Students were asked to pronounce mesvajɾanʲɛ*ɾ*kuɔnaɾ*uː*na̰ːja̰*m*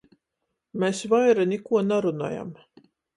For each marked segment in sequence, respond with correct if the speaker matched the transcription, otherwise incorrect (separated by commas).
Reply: incorrect, incorrect, correct